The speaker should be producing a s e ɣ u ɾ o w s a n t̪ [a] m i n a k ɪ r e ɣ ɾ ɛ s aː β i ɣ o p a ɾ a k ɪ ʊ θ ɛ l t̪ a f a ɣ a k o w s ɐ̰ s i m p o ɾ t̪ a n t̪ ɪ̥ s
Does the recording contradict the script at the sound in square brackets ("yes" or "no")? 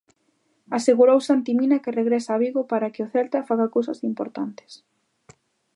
yes